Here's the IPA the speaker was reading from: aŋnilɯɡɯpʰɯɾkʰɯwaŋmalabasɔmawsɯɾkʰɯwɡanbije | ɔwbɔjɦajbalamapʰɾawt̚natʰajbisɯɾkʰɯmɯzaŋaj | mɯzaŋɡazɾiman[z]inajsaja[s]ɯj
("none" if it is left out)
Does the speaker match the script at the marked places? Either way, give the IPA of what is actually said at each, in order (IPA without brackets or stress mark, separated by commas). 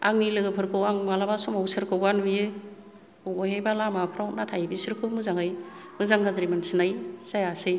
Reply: s, s